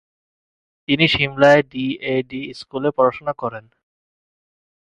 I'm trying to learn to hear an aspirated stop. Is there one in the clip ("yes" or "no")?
no